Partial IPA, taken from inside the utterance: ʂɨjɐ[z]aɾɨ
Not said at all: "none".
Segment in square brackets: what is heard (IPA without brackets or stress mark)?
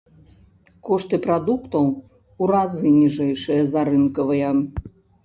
z